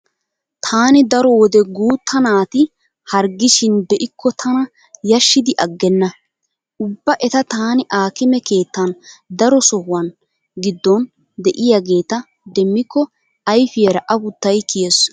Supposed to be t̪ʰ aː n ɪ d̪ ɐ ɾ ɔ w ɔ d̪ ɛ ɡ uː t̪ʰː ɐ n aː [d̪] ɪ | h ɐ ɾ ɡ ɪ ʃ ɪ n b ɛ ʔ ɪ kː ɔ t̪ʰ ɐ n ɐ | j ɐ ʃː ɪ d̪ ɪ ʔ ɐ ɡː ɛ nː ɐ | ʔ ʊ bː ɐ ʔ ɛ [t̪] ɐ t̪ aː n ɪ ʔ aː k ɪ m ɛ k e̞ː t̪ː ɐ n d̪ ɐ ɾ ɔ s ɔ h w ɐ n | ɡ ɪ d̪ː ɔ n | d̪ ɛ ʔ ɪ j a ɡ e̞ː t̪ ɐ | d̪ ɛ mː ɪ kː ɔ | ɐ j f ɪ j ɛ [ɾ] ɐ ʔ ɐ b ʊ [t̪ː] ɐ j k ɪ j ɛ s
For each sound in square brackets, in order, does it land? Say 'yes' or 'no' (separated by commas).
no, yes, yes, yes